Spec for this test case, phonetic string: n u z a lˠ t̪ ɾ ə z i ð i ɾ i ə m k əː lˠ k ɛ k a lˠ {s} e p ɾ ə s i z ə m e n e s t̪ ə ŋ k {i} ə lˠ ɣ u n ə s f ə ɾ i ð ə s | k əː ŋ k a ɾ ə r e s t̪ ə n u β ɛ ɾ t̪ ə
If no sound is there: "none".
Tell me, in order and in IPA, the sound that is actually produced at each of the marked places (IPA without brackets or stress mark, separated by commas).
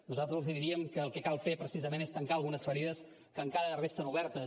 f, a